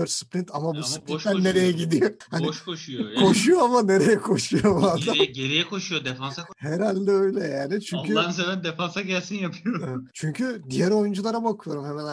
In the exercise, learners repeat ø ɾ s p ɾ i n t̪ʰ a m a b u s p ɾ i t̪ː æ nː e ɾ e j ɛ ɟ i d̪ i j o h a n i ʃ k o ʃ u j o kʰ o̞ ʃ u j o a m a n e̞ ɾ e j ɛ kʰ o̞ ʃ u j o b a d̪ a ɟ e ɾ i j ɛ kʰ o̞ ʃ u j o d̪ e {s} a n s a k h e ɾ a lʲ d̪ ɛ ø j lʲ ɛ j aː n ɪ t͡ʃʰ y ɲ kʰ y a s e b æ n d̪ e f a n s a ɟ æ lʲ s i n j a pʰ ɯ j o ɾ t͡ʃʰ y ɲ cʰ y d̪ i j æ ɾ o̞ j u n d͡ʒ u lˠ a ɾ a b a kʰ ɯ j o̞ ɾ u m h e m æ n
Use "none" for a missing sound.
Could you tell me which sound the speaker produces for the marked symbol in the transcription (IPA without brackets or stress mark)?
f